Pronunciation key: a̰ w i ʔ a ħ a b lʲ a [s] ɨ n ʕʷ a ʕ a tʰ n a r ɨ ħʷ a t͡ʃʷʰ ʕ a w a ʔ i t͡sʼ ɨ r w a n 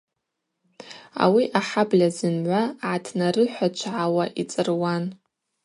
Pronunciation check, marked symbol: incorrect: z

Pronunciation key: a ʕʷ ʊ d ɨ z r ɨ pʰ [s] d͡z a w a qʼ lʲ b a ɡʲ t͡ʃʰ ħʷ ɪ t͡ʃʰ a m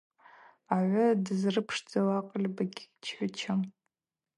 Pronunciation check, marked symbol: incorrect: ʂ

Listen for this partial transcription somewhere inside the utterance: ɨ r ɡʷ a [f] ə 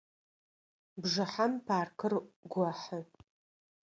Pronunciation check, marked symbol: incorrect: ħ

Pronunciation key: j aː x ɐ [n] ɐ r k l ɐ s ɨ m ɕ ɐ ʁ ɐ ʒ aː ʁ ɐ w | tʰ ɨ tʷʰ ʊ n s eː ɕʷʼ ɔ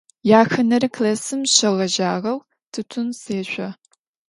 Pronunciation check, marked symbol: correct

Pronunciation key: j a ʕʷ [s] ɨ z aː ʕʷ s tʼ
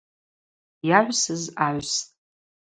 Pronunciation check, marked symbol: correct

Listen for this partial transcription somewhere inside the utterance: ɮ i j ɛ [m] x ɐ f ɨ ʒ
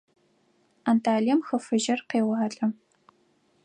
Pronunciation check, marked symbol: correct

